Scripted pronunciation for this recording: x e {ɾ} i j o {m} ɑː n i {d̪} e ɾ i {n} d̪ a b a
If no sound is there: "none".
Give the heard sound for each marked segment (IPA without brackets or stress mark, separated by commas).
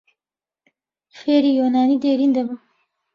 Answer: ɾ, n, d̪, n